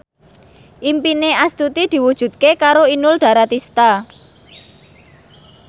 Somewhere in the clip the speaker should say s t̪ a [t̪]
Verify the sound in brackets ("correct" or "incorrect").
incorrect